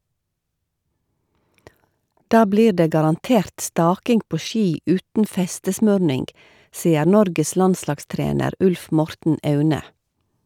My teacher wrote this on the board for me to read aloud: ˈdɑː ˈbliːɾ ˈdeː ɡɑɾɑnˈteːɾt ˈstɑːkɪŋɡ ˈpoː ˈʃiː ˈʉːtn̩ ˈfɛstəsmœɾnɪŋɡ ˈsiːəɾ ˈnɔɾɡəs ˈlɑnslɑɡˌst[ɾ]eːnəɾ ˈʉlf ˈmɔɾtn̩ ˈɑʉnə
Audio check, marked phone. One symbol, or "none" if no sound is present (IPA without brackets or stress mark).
ɾ